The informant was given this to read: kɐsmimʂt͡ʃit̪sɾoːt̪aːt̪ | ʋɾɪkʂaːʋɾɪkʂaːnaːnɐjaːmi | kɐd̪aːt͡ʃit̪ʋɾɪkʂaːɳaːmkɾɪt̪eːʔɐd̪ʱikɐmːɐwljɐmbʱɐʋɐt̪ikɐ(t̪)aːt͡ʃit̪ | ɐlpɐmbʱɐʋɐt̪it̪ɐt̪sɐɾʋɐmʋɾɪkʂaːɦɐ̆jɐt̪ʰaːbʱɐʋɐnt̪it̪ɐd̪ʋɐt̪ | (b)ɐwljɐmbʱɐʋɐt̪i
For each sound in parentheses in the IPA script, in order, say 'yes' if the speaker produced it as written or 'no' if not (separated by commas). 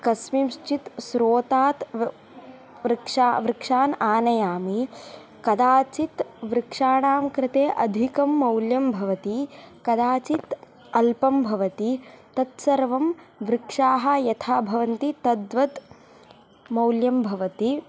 no, no